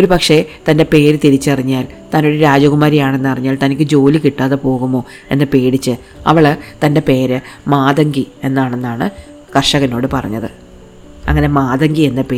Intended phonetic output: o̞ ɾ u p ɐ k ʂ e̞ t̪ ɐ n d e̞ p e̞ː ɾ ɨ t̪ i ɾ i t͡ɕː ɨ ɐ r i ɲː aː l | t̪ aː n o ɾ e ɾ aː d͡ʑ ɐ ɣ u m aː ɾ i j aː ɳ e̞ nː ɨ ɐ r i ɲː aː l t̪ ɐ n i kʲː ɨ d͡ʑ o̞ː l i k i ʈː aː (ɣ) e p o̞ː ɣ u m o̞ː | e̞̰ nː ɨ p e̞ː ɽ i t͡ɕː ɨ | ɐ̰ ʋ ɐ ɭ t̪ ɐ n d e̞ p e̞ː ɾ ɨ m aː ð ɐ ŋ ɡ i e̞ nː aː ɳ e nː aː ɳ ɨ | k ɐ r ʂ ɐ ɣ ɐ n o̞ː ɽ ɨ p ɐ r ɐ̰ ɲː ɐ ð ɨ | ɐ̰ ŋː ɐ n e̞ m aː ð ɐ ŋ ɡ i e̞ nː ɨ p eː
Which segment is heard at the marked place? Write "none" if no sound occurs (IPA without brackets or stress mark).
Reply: ð